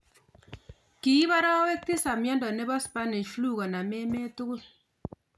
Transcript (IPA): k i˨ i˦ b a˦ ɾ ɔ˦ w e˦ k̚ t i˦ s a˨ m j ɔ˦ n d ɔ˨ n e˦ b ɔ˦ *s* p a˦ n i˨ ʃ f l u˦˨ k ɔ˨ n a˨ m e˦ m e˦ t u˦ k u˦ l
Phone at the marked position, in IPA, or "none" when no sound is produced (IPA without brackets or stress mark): s